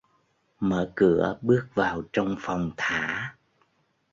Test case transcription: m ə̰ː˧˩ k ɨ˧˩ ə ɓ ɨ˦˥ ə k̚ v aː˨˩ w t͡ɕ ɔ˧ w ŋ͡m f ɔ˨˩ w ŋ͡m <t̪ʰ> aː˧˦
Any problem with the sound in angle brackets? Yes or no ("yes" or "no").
no